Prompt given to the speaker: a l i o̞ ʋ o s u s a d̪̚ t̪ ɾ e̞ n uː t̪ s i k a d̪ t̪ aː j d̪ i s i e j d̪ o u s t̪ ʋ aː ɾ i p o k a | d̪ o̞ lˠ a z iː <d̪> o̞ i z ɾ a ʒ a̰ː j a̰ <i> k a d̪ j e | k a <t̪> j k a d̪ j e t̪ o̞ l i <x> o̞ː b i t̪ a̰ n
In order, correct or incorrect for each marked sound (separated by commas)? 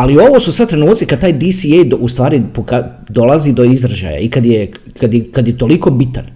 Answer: correct, correct, incorrect, incorrect